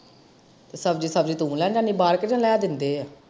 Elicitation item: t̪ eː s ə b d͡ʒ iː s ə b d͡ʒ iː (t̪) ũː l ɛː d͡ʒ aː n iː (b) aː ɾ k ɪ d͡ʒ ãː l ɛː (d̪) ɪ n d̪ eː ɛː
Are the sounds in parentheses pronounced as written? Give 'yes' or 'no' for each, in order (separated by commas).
yes, yes, yes